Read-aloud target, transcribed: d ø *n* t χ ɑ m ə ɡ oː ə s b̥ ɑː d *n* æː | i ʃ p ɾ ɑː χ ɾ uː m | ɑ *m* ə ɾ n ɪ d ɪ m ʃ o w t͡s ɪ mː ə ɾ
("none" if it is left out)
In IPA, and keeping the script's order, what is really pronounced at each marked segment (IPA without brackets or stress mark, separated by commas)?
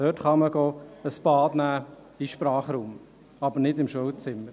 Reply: none, n, b